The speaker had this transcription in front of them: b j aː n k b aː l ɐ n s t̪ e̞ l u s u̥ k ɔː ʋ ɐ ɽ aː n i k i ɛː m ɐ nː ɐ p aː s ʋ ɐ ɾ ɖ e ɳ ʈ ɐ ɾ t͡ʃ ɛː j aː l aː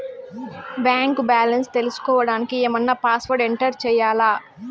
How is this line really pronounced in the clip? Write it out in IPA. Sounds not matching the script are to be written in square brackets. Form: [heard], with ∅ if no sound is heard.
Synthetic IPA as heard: b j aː [ŋ] k b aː l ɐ n s t̪ e̞ l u s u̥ k ɔː ʋ ɐ ɽ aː n i k i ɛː m ɐ nː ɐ p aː s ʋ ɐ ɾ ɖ e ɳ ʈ ɐ ɾ t͡ʃ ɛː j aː l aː

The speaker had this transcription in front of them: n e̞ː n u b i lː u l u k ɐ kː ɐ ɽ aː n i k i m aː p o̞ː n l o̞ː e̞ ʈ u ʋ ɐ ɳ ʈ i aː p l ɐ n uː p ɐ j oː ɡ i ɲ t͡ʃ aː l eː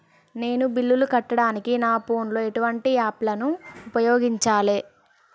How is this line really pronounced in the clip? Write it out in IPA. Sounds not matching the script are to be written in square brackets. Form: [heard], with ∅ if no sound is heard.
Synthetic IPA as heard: n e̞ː n u b i lː u l u k ɐ [ʈː] ɐ ɽ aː n i k i [n] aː p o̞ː n l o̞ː e̞ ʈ u ʋ ɐ ɳ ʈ i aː p l ɐ n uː p ɐ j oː ɡ i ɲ t͡ʃ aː l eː

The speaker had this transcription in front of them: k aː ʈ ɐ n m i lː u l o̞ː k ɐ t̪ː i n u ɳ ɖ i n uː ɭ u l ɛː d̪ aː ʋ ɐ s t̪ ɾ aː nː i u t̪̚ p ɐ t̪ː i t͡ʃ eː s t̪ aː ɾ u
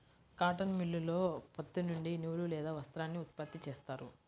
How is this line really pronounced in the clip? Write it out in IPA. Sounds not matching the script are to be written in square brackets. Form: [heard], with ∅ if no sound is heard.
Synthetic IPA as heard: k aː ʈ ɐ n m i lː u l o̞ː [p] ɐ t̪ː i n u ɳ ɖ i n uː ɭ u l ɛː d̪ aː ʋ ɐ s t̪ ɾ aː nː i u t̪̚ p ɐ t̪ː i t͡ʃ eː s t̪ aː ɾ u

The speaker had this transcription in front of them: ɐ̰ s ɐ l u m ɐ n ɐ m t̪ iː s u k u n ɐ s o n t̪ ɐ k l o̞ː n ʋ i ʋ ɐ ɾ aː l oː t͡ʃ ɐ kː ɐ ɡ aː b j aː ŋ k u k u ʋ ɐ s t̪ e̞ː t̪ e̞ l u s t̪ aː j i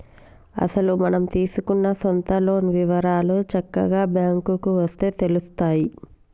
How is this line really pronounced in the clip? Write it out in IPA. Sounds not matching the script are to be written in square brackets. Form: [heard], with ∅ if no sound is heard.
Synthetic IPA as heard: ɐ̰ s ɐ l u m ɐ n ɐ m t̪ iː s u k u [nː] ɐ s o n t̪ ɐ [∅] l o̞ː n ʋ i ʋ ɐ ɾ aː l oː t͡ʃ ɐ kː ɐ ɡ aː b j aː ŋ k u k u ʋ ɐ s t̪ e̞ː t̪ e̞ l u s t̪ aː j i

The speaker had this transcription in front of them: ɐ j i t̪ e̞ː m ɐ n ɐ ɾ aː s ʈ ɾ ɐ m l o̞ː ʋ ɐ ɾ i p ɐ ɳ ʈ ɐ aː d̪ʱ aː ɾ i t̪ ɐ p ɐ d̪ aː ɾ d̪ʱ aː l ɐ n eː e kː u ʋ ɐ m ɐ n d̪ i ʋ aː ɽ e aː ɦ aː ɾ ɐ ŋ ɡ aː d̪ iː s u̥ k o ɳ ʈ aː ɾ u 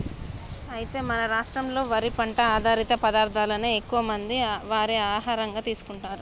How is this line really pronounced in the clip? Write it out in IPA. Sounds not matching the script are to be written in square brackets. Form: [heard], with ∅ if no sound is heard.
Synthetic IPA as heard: ɐ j i t̪ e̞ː m ɐ n ɐ ɾ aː [ʂ] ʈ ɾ ɐ m l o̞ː ʋ ɐ ɾ i p ɐ ɳ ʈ ɐ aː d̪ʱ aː ɾ i t̪ ɐ p ɐ d̪ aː ɾ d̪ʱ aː l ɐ n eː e kː u ʋ ɐ m ɐ n d̪ i ʋ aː [ɾ] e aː ɦ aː ɾ ɐ ŋ ɡ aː [t̪] iː s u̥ k [u] ɳ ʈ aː ɾ u

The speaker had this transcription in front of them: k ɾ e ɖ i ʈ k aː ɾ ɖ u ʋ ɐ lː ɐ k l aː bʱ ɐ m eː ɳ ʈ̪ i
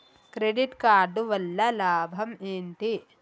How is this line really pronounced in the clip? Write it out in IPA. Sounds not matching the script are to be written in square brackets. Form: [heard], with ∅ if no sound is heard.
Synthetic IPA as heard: k ɾ e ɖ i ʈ k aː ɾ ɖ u ʋ ɐ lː ɐ [∅] l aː bʱ ɐ m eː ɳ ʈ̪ i

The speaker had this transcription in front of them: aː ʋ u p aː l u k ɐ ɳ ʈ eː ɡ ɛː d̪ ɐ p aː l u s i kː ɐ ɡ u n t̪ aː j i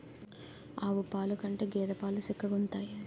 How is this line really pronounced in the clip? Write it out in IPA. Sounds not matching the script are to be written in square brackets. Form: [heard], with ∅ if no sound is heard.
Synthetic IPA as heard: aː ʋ u p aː l u k ɐ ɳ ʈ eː ɡ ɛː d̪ ɐ p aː l u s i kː ɐ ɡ u n t̪ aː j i

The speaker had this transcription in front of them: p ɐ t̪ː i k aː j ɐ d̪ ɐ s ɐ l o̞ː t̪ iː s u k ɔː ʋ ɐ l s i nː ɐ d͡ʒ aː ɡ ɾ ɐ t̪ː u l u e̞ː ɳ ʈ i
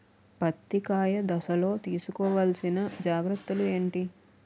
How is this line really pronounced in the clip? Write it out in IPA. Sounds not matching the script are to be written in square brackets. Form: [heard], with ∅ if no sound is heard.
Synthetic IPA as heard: p ɐ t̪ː i k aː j ɐ d̪ ɐ s ɐ l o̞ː t̪ iː s u k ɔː ʋ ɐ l s i [n] ɐ d͡ʒ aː ɡ ɾ ɐ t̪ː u l u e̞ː ɳ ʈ i

